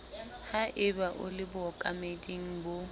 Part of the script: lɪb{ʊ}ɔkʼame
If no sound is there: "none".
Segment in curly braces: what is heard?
ʊ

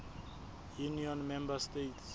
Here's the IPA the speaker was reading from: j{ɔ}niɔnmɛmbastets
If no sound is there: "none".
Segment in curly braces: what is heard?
u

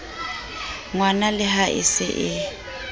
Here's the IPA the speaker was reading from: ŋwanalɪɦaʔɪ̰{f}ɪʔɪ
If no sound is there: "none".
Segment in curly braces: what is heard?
s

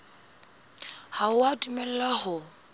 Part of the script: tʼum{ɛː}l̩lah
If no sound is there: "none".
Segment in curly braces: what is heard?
ɛ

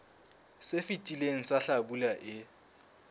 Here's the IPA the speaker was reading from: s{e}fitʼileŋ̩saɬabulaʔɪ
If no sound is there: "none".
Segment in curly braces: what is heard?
e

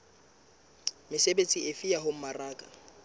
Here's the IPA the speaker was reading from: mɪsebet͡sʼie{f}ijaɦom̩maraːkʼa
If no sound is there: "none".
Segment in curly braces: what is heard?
f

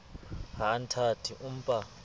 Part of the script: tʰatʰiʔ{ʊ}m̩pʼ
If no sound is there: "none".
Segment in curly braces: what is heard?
u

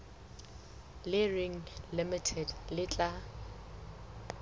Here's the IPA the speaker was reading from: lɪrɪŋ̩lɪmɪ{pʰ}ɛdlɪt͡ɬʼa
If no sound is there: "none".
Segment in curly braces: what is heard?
tʰ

